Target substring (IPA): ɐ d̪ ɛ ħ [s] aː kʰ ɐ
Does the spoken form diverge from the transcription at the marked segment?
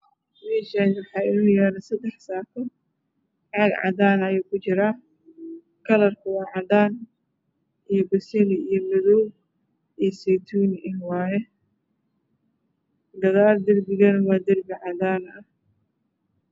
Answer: no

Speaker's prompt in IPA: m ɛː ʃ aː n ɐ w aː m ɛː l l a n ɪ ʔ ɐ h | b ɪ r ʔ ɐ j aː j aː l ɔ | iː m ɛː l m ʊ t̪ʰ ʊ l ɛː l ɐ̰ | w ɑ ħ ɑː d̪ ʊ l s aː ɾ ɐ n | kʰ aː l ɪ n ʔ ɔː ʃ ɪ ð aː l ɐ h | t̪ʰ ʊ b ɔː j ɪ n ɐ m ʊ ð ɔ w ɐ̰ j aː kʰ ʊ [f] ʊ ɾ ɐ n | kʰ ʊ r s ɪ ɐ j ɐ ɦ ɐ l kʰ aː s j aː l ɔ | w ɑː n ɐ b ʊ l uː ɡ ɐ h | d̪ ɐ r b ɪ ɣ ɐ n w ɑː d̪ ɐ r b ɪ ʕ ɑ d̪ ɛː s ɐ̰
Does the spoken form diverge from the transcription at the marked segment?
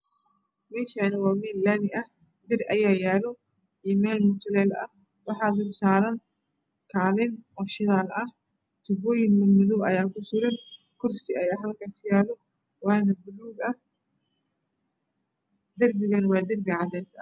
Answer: yes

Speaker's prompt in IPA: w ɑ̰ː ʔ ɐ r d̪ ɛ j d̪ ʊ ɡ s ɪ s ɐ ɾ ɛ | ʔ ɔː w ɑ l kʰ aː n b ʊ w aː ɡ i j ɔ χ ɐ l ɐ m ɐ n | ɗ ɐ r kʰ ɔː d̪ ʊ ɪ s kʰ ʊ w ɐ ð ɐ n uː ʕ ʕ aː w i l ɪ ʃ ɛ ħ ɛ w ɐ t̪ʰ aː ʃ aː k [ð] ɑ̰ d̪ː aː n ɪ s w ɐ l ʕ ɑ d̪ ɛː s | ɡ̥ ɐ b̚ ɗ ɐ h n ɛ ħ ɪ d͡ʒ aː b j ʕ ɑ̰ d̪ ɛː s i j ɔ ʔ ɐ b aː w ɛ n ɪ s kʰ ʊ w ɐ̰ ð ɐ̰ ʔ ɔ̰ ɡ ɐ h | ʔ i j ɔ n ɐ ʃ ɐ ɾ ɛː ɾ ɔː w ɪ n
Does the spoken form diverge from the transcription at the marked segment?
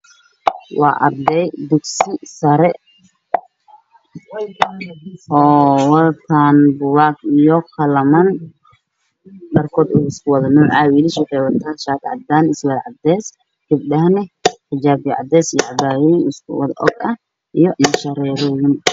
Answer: yes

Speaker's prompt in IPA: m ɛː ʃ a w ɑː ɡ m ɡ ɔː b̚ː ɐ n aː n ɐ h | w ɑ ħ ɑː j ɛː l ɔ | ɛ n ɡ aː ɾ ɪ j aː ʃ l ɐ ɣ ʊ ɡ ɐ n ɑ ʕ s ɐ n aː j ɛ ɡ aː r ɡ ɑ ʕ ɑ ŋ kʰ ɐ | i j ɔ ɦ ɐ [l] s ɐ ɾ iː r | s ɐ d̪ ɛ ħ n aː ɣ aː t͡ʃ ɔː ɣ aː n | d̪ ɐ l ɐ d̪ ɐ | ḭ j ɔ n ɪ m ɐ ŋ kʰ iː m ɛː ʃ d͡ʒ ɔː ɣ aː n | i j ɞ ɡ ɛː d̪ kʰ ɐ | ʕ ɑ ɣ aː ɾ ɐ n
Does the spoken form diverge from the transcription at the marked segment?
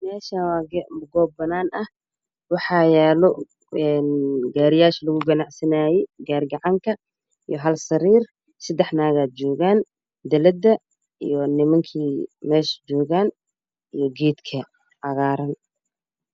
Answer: no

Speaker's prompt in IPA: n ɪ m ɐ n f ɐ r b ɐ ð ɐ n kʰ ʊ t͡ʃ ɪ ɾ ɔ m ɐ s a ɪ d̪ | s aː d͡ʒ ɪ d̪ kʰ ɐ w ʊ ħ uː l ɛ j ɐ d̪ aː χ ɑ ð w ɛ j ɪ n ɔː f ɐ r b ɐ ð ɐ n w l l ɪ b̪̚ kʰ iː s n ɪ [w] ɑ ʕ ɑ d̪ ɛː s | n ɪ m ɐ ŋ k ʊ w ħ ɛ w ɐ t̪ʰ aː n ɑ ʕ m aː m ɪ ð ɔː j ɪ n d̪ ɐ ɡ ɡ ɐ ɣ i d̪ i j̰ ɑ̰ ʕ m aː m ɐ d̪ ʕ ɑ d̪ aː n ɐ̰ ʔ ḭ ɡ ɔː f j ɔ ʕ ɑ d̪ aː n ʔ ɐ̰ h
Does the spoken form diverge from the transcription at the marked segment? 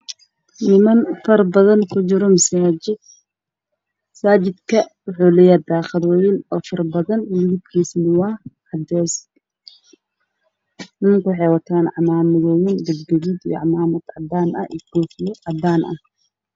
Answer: no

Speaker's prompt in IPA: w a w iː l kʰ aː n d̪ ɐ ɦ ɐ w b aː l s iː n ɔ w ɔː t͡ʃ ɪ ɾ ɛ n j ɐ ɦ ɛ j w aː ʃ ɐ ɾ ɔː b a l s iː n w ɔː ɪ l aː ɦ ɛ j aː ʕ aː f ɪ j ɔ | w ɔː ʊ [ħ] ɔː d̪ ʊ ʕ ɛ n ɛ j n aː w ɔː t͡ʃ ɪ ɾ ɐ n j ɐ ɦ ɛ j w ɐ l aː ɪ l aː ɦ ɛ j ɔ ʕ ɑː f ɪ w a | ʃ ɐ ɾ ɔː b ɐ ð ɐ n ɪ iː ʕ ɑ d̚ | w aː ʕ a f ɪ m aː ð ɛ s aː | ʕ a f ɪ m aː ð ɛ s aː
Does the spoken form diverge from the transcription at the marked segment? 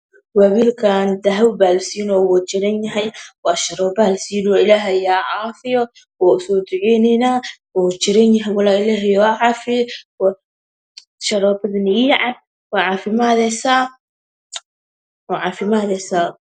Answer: yes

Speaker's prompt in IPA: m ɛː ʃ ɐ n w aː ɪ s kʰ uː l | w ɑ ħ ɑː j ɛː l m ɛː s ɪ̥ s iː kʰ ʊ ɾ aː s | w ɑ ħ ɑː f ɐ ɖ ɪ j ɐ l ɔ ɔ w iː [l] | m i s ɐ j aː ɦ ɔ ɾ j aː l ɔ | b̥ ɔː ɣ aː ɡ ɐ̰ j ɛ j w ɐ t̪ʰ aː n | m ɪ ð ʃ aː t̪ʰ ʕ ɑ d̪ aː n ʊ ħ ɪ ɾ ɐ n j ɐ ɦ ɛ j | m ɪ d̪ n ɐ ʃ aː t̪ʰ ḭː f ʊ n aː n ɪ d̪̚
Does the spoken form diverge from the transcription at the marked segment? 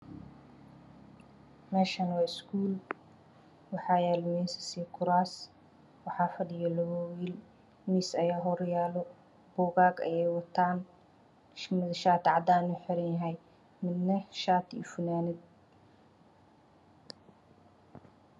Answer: no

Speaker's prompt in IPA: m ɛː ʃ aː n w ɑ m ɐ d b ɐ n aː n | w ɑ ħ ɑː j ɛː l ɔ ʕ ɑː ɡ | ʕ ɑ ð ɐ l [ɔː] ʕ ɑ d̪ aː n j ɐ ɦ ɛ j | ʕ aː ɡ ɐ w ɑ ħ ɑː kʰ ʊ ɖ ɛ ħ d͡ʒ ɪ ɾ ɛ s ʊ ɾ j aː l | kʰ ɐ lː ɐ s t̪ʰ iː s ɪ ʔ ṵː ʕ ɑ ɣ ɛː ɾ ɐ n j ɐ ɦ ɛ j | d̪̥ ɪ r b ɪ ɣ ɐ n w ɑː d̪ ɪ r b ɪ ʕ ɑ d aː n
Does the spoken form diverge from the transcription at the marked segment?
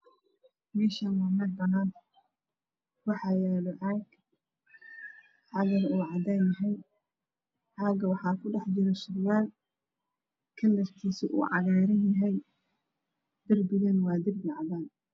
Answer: yes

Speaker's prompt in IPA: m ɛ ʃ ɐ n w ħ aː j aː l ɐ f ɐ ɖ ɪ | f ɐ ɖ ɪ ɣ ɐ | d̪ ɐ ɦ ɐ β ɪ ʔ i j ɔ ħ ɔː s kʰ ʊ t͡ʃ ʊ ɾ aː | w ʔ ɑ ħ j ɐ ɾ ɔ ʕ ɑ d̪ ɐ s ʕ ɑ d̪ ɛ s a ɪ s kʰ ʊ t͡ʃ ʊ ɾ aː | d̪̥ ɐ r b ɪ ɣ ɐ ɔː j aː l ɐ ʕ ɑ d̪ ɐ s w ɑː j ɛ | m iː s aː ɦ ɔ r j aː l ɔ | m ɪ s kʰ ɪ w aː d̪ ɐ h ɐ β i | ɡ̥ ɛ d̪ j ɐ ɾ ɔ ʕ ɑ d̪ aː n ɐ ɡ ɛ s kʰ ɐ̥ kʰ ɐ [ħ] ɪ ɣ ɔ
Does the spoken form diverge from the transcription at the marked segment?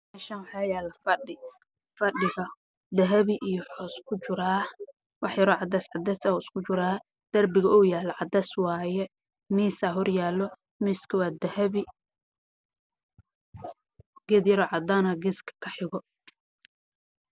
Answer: no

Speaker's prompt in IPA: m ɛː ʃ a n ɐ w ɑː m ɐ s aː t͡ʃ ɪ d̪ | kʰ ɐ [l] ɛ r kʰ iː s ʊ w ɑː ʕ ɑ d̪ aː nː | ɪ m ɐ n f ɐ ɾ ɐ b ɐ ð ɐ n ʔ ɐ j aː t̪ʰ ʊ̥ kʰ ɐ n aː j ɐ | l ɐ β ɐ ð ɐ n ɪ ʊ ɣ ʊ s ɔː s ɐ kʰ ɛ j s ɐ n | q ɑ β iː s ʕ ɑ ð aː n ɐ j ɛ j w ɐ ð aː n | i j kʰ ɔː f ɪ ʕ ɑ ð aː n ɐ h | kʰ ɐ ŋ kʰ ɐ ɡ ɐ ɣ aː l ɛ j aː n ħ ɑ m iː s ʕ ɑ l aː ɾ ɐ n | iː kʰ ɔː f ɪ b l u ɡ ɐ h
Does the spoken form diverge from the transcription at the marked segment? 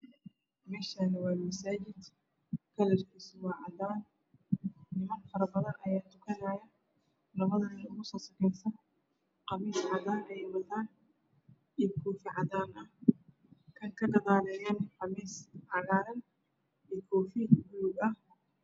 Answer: no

